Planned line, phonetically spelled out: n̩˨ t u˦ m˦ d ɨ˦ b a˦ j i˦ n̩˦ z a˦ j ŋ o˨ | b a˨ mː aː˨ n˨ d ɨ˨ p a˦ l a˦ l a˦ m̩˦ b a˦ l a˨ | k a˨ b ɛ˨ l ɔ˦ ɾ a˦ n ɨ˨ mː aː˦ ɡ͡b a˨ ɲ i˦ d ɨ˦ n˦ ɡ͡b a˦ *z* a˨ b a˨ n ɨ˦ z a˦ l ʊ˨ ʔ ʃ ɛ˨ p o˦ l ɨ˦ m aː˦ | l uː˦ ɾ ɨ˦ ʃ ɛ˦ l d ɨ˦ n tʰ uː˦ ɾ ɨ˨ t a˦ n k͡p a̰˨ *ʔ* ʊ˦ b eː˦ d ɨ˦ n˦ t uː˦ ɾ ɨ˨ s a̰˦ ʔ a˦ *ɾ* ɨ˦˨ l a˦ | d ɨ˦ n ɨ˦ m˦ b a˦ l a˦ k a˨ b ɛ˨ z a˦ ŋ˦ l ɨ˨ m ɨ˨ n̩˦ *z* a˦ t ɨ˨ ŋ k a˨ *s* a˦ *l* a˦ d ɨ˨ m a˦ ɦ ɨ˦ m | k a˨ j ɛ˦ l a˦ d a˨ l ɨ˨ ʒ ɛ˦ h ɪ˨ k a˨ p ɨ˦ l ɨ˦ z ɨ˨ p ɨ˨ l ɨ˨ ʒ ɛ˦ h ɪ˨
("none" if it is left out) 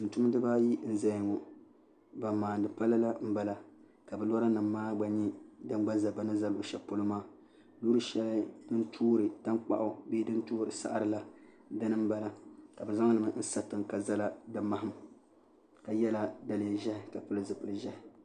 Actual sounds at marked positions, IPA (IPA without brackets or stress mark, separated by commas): z, ʔ, ɾ, s, z, l